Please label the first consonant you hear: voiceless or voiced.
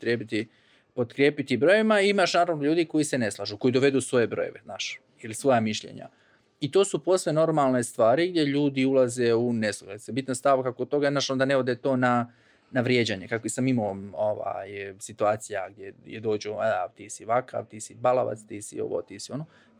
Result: voiceless